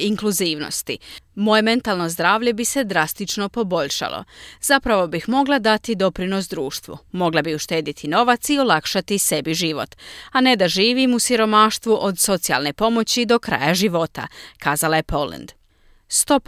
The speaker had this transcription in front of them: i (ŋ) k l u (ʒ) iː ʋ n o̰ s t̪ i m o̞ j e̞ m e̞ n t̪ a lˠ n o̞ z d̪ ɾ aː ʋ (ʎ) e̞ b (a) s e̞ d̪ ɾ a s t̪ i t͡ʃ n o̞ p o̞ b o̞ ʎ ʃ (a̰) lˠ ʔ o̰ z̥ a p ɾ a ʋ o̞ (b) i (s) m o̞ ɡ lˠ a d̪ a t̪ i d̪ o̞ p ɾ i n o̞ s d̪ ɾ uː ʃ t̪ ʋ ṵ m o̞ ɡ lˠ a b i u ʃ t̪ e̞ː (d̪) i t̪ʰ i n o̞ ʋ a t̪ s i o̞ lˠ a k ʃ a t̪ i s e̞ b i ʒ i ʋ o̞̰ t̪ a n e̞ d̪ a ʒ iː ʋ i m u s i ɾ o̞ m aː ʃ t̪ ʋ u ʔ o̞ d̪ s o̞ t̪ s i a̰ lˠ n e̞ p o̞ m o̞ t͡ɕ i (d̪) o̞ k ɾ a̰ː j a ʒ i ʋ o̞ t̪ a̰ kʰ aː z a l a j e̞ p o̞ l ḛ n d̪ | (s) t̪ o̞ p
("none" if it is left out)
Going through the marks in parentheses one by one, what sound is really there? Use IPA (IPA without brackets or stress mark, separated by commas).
ŋ, z, ʎ, i, a̰, b, x, d̪, d̪, s